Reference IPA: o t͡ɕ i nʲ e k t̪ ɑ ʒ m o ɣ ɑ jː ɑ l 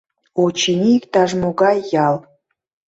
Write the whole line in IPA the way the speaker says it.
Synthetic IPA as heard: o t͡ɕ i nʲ i k t̪ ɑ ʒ m o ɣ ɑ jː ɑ l